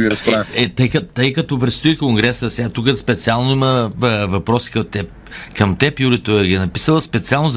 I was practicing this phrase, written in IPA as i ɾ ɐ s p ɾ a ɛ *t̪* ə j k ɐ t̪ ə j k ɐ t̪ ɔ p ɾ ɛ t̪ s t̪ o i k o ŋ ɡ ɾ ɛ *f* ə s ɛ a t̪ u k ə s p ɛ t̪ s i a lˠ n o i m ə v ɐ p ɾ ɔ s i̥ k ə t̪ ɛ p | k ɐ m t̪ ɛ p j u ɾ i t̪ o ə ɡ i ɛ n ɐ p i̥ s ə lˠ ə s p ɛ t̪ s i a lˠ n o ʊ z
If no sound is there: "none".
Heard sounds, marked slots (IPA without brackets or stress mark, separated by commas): t̪, s